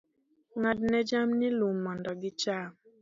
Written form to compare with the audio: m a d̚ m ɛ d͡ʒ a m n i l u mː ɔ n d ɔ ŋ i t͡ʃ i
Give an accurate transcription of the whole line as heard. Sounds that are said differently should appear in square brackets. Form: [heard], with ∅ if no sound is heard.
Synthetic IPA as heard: [ŋ] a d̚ [n] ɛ d͡ʒ a m n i l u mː ɔ n d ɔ [ɡ] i t͡ʃ [a]